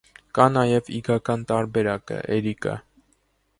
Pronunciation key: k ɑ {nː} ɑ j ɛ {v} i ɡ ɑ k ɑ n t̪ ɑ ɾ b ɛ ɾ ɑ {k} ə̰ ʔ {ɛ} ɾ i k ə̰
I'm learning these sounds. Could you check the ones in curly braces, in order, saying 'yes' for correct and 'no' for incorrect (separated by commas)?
no, yes, yes, yes